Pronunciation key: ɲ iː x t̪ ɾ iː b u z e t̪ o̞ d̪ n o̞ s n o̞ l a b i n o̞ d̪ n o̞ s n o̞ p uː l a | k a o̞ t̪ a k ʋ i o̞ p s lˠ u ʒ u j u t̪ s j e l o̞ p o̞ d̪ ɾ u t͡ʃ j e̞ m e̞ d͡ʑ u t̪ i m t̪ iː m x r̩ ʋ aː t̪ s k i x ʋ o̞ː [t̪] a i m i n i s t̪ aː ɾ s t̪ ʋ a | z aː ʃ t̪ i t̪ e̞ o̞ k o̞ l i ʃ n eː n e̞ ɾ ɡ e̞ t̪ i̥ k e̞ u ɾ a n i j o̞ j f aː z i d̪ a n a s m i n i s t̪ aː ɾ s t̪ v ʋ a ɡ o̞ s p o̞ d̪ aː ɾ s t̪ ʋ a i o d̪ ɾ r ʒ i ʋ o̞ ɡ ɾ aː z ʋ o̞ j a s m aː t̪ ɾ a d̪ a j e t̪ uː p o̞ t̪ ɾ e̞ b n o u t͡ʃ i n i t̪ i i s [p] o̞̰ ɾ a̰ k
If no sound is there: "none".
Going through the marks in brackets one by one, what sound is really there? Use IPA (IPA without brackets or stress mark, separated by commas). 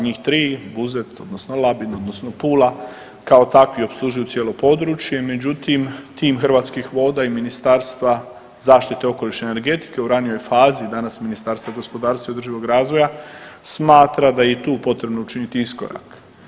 d̪, k